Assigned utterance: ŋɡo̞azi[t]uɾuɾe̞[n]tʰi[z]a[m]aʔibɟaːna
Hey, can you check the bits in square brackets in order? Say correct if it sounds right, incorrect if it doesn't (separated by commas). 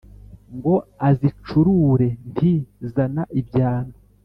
incorrect, correct, correct, incorrect